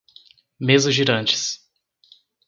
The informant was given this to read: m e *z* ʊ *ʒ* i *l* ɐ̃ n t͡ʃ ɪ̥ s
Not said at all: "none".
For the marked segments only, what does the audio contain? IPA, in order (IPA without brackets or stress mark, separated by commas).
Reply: z, ʒ, ɾ